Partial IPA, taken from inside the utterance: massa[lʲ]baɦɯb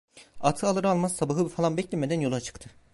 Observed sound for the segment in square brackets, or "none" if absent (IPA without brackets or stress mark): none